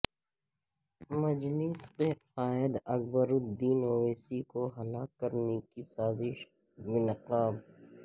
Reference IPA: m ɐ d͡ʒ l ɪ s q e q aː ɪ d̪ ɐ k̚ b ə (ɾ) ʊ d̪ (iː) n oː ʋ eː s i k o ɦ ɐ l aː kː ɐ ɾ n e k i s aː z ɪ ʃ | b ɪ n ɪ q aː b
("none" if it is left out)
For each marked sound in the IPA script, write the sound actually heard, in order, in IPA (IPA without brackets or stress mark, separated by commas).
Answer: ɾ, iː